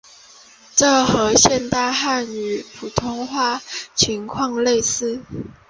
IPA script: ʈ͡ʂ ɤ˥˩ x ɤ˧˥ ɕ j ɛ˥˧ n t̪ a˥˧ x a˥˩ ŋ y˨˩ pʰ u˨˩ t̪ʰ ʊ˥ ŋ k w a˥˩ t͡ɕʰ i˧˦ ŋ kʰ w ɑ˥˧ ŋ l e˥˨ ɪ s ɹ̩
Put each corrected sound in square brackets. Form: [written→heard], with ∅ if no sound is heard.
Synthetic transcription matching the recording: ʈ͡ʂ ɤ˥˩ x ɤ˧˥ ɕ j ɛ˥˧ n t̪ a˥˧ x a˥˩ [ŋ→n] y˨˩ pʰ u˨˩ t̪ʰ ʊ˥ ŋ [k→x] w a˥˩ t͡ɕʰ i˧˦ ŋ kʰ w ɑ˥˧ ŋ l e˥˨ ɪ s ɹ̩